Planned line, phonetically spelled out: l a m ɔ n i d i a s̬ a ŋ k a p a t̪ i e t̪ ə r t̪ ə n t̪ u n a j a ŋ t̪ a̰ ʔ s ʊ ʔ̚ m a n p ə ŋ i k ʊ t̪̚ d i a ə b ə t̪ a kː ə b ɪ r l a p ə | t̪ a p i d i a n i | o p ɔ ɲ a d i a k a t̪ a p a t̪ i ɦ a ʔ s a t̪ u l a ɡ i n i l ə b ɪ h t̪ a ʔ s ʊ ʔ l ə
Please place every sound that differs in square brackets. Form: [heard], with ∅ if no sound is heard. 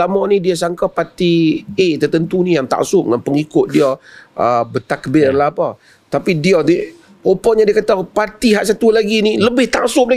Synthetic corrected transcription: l a m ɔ n i d i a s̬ a ŋ k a p a t̪ i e t̪ ə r t̪ ə n t̪ u n [i] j a ŋ t̪ a̰ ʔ s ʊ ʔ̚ [ŋ] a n p ə ŋ i k ʊ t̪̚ d i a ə b ə t̪ a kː ə b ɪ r l a p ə | t̪ a p i d i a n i | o p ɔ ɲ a d i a k a t̪ a p a t̪ i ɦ a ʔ s a t̪ u l a ɡ i n i l ə b ɪ h t̪ a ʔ s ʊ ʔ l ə